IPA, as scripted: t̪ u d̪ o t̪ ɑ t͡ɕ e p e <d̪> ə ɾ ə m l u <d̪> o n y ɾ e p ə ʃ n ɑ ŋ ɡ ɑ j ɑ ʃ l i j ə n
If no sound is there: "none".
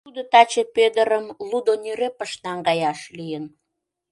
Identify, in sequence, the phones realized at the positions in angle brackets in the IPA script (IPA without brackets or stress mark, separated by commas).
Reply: d̪, d̪